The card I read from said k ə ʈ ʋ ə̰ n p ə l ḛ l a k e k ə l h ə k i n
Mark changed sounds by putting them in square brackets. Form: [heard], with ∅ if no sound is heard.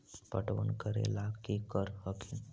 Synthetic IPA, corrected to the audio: [p] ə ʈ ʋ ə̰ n [k] ə [ɾ] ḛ l a k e k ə [ɾ] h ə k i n